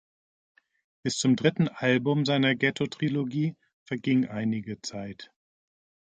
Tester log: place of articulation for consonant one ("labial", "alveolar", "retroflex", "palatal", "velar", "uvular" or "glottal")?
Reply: labial